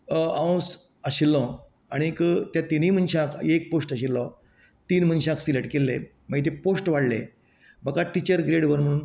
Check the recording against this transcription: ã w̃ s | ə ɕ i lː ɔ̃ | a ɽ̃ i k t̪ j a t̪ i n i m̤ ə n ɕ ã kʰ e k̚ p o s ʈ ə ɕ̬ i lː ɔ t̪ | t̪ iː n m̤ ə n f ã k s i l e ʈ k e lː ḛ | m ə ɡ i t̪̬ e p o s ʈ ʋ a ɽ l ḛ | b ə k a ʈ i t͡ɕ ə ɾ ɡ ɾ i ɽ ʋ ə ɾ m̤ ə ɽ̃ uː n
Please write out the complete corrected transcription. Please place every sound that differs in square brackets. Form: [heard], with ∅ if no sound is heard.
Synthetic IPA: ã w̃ s | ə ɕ i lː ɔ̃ | a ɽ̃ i k t̪ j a t̪ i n i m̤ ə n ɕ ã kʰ e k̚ p o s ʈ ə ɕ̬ i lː ɔ [∅] | t̪ iː n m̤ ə n [ɕ] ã k s i l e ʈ k e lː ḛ | m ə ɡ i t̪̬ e p o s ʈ ʋ a ɽ l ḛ | b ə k a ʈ i t͡ɕ ə ɾ ɡ ɾ [e] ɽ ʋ ə ɾ m̤ ə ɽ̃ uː n